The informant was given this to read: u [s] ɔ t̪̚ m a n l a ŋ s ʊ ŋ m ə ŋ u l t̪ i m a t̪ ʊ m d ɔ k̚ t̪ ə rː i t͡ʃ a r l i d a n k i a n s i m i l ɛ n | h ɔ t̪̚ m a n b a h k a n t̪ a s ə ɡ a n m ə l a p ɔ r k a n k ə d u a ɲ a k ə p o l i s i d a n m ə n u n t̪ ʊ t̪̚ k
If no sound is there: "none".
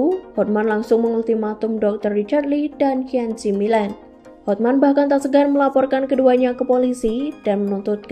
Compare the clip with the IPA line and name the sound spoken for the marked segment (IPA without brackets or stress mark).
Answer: h